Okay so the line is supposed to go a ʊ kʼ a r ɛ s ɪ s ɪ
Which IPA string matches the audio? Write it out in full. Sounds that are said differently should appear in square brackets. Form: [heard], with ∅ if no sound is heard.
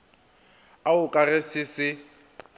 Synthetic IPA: a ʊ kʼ a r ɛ s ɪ s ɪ